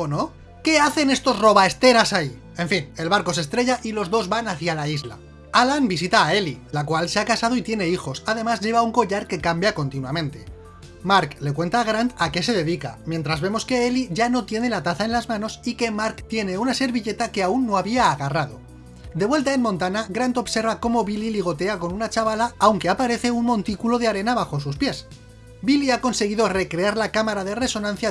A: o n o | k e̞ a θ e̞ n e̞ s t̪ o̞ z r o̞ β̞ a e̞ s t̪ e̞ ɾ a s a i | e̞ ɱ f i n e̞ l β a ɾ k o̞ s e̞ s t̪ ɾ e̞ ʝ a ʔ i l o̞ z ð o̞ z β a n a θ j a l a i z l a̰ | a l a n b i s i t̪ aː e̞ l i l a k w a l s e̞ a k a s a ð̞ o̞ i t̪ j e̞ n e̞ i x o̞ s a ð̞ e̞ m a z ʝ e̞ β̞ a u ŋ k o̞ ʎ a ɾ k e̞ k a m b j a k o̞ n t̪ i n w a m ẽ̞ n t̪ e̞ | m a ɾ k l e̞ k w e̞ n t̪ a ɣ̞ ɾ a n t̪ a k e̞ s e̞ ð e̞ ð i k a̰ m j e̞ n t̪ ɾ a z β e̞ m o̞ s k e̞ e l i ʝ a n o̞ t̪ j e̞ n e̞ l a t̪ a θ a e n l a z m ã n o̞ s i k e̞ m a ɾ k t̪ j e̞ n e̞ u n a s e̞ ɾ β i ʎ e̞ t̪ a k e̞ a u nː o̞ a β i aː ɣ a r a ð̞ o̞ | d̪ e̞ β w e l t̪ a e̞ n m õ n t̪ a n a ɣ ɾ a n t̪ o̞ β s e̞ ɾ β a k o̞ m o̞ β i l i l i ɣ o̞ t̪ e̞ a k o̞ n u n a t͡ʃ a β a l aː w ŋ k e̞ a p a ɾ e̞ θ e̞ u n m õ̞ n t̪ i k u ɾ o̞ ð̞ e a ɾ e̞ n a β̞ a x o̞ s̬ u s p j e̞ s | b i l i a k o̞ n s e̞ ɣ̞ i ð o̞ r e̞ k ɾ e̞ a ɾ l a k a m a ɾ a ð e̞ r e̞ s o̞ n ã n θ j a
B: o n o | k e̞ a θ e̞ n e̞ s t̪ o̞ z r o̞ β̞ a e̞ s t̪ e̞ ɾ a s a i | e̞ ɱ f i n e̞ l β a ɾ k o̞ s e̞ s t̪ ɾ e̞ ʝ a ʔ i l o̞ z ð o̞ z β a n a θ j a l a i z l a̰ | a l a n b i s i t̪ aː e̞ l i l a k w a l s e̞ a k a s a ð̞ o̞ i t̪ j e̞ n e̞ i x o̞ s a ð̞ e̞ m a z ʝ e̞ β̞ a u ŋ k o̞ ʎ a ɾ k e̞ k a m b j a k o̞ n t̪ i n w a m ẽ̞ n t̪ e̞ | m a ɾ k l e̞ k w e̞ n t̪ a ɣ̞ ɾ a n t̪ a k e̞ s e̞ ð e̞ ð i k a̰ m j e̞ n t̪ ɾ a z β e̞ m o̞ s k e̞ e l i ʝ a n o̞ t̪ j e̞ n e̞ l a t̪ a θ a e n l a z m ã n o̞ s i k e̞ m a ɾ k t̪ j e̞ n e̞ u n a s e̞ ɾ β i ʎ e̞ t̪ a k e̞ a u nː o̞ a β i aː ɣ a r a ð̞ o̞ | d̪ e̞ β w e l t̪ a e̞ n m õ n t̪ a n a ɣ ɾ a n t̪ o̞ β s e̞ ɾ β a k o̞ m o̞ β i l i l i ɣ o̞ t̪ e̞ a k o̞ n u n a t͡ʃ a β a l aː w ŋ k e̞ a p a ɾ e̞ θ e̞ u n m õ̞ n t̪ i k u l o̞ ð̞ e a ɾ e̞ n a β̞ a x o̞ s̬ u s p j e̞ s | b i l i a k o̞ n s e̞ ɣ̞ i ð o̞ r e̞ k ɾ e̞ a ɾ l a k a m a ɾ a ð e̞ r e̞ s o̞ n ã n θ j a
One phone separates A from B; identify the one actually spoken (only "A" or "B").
B